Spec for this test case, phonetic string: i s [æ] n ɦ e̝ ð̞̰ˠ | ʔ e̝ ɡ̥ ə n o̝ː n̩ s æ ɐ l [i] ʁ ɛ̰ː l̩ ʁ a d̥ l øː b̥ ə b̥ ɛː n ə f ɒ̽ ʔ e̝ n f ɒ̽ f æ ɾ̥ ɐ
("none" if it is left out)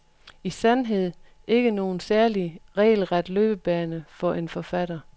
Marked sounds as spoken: æ, i

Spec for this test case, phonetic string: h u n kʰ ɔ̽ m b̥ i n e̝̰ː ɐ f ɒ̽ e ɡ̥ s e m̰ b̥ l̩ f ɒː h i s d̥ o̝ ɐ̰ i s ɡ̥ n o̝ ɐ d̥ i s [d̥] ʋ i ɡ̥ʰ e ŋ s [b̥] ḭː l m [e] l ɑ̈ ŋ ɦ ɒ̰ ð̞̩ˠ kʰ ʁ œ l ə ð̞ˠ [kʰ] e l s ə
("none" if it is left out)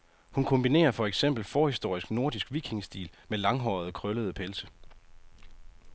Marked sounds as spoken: ɡ̥, d̥, e, pʰ

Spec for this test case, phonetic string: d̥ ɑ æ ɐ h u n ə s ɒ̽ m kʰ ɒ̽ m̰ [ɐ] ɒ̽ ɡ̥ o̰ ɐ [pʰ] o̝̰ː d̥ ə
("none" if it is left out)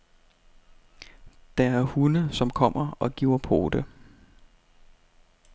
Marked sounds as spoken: ɐ, pʰ

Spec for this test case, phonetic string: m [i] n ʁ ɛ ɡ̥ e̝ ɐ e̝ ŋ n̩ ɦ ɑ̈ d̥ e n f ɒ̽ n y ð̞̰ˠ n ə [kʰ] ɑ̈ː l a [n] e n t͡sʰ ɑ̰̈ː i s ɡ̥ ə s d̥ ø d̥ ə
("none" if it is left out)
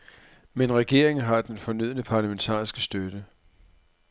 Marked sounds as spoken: e, pʰ, m

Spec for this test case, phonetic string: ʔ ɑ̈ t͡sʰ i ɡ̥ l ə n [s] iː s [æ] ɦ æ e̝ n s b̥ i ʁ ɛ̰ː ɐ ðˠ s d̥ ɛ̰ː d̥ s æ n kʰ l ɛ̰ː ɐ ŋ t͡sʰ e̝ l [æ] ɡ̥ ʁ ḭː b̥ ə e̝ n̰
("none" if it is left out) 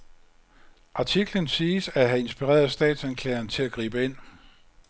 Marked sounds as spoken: s, æ, æ

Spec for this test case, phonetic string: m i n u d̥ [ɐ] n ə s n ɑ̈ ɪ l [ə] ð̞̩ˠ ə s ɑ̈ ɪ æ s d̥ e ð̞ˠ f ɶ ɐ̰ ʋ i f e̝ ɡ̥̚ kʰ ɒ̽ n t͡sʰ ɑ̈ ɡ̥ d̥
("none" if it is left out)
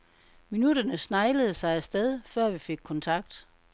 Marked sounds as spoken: ɐ, ə

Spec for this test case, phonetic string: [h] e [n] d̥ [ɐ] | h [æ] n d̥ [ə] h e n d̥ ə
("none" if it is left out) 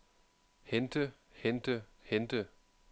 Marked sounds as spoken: h, n, ə, e, ə

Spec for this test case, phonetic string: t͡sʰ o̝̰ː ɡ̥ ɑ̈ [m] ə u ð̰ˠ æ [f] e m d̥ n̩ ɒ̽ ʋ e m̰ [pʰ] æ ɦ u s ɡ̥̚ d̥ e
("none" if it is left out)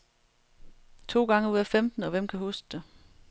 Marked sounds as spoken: ŋ, f, kʰ

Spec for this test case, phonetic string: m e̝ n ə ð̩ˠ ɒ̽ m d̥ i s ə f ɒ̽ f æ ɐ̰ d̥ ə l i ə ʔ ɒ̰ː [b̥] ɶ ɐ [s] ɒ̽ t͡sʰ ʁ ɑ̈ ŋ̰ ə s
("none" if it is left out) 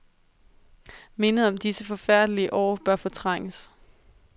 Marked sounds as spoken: b̥, f

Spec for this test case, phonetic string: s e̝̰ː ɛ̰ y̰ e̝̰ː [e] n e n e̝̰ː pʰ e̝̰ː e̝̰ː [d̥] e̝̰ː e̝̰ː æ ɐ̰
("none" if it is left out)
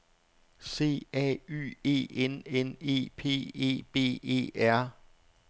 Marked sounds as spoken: e, b̥

